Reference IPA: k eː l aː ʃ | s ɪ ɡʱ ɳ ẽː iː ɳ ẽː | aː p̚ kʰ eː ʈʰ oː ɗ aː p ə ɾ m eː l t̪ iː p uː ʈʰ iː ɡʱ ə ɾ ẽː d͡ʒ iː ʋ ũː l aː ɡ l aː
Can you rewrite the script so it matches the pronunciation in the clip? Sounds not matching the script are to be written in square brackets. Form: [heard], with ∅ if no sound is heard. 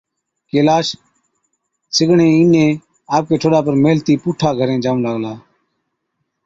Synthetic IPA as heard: k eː l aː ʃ | s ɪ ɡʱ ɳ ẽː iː [n] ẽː | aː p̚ [k] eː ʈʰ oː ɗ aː p ə ɾ m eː l t̪ iː p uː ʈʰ [aː] ɡʱ ə ɾ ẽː d͡ʒ [aː] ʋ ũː l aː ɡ l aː